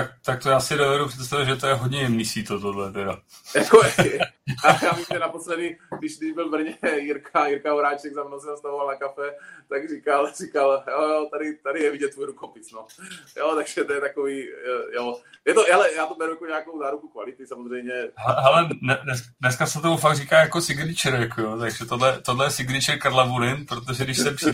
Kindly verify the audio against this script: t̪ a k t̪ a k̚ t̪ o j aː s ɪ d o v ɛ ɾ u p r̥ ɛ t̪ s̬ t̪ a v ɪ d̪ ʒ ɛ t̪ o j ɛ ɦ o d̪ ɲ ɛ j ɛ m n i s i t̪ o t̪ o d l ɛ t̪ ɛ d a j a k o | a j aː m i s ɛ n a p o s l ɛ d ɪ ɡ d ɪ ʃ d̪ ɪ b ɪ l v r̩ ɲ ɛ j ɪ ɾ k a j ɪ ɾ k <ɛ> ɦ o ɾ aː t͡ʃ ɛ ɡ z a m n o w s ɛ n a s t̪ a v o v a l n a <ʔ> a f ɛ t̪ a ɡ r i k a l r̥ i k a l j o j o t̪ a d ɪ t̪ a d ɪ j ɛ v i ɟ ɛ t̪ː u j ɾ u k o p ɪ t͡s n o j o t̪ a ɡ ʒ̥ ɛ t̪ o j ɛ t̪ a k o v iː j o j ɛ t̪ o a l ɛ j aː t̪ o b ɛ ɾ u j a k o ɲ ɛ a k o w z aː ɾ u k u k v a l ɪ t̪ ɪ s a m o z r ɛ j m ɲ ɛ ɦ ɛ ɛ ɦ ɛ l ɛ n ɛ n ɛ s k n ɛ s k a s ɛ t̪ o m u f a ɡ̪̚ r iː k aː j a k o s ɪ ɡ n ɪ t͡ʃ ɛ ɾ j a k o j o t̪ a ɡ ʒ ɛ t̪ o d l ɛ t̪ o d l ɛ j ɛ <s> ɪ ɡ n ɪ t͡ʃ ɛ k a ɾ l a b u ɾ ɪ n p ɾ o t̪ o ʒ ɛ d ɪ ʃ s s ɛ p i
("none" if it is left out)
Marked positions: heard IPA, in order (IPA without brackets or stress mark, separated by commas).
a, k, s